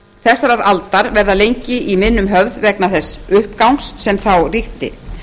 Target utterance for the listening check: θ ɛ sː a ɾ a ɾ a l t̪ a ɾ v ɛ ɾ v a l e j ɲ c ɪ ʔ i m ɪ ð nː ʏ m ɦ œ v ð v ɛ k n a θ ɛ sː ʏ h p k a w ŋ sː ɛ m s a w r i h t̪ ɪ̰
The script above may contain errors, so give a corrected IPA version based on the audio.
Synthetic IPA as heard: θ ɛ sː a ɾ a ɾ a l t̪ a ɾ v ɛ ɾ ð a l e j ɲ c ɪ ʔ i m ɪ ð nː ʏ m ɦ œ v ð v ɛ k n a θ ɛ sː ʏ h p k a w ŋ sː ɛ m θ a w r i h t̪ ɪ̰